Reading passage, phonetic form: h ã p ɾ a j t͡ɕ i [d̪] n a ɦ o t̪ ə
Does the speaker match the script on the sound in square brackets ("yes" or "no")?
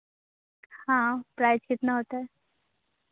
no